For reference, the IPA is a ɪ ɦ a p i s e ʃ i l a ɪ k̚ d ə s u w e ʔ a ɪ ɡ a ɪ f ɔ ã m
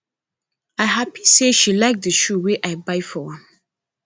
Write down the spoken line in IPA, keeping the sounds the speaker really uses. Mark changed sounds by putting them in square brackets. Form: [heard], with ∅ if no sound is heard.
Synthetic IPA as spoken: a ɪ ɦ a p i s e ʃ i l a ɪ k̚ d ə [ʃ] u w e ʔ a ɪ [b] a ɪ f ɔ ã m